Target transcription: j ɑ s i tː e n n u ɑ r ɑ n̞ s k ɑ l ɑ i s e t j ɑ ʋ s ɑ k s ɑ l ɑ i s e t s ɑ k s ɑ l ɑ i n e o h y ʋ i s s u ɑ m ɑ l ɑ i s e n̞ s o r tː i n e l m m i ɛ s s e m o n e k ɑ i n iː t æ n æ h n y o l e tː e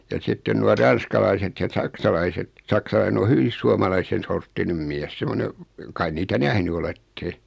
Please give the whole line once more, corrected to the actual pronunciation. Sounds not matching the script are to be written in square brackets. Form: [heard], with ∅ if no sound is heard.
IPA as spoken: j ɑ s i tː e n n u ɑ r ɑ n̞ s k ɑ l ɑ i s e t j ɑ [∅] s ɑ k s ɑ l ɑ i s e t s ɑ k s ɑ l ɑ i n e o h y ʋ i s s u ɑ m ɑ l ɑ i s e n̞ s o r tː i n e [∅] m m i ɛ s s e m o n e k ɑ i n iː t æ n æ h n y o l e tː e